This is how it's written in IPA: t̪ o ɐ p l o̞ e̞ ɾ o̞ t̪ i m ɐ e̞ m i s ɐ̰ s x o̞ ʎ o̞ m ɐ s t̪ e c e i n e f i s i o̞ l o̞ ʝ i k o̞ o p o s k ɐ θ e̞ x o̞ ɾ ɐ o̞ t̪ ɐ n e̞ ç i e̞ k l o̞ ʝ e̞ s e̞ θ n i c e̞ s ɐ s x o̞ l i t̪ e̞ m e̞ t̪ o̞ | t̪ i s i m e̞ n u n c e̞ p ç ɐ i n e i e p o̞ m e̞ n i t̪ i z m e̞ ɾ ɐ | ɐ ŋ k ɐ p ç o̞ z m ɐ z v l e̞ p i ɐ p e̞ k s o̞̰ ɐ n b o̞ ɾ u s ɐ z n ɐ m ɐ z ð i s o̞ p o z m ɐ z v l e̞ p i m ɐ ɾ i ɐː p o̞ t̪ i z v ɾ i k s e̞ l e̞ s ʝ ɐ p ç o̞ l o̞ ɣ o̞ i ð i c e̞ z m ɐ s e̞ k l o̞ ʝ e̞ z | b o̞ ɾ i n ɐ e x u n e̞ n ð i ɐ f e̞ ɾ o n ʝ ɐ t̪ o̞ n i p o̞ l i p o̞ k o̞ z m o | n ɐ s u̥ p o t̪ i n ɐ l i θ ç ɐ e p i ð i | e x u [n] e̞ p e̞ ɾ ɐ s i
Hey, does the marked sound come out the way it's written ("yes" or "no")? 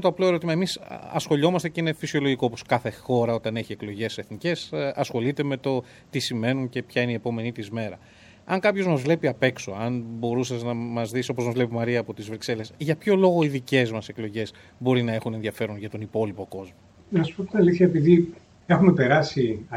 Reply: no